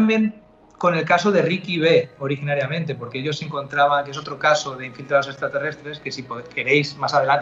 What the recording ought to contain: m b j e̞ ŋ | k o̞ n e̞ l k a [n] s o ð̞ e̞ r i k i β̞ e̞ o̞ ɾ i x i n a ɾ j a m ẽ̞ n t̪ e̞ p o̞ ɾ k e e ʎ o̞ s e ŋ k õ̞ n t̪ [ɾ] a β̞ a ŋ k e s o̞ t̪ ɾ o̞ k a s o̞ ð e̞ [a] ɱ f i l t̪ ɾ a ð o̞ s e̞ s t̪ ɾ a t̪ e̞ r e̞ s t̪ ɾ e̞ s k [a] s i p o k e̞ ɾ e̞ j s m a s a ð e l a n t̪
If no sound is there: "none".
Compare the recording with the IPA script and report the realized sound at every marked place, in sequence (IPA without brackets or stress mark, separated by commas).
none, ɾ, i, e